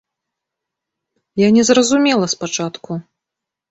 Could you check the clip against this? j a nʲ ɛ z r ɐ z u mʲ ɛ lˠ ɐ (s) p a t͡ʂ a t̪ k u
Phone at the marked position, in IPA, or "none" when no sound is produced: s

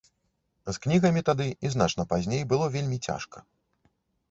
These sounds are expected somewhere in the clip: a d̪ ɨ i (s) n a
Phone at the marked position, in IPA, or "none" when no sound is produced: z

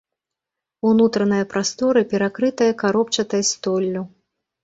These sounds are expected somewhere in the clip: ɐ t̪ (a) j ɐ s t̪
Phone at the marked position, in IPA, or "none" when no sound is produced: ɐ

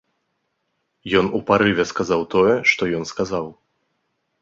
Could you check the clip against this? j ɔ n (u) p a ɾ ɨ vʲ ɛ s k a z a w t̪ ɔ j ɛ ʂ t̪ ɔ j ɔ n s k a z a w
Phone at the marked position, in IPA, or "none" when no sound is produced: u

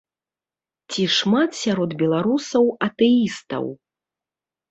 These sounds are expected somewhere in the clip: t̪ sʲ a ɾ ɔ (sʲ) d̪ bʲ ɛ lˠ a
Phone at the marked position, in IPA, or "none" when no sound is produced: none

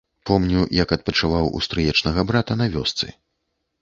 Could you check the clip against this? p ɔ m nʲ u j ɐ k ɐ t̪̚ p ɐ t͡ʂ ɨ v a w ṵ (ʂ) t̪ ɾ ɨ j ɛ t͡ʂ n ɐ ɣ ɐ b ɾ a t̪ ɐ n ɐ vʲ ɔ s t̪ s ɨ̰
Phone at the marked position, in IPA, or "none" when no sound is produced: s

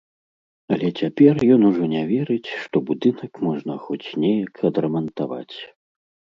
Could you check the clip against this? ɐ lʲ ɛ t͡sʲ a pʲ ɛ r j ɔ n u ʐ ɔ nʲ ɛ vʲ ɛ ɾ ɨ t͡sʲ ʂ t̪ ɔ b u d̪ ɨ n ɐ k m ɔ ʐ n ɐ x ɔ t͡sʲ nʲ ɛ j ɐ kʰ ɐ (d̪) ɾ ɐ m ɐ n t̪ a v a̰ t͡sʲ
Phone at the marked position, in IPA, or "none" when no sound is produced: d̪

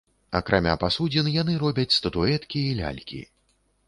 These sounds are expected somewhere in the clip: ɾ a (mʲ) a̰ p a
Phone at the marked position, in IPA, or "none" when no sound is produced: mʲ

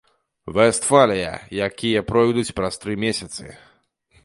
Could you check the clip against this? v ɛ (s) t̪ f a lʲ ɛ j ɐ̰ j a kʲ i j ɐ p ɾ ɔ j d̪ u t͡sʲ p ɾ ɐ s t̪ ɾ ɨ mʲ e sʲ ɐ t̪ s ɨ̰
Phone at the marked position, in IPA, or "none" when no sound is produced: s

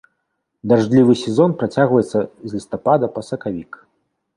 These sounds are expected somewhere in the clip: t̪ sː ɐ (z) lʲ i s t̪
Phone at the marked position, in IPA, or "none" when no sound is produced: z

